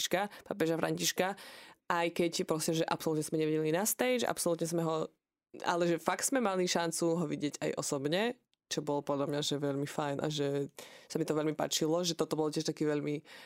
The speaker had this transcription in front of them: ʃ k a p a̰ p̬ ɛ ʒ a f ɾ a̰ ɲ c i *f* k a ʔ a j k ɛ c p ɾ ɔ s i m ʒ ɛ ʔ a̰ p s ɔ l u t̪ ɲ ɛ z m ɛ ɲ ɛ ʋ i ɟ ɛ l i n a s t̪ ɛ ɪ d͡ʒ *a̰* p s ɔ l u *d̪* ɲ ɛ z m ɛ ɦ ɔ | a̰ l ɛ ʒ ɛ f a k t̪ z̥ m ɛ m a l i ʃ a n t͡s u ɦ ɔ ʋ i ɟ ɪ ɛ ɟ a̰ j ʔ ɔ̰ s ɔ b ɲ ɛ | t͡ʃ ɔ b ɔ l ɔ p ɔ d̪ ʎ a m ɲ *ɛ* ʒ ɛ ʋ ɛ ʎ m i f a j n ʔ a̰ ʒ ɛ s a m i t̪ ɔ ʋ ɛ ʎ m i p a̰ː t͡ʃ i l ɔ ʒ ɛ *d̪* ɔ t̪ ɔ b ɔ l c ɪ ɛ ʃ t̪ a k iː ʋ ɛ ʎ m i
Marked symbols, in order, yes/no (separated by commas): no, yes, no, no, no